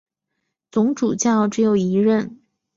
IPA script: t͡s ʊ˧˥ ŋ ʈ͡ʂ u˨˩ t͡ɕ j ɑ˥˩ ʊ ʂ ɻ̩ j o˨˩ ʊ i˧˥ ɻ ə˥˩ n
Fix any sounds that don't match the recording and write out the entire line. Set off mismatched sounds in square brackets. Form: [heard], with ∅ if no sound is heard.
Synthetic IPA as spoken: t͡s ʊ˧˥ ŋ ʈ͡ʂ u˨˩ t͡ɕ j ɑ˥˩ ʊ [ʈ͡ʂ] ɻ̩ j o˨˩ ʊ i˧˥ ɻ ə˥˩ n